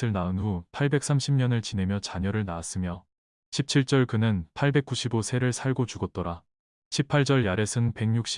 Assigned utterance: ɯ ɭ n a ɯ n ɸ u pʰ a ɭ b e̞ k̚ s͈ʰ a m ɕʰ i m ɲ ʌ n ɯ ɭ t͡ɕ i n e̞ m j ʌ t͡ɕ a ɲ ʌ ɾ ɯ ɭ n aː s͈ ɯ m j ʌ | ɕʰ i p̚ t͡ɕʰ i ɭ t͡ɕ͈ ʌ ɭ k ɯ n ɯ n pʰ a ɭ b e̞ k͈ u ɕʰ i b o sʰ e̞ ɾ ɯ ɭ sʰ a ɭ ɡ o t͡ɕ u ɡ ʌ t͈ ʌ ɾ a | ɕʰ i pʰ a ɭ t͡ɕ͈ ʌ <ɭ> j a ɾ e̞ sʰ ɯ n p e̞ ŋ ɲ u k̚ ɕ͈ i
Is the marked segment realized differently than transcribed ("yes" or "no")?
no